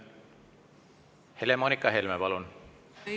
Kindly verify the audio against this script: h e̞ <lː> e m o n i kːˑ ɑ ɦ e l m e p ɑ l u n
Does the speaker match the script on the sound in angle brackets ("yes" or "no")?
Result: no